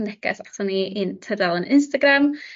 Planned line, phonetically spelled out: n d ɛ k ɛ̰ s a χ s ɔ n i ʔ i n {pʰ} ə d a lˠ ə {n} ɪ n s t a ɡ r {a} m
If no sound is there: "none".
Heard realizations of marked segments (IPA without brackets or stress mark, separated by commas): tʰ, n, a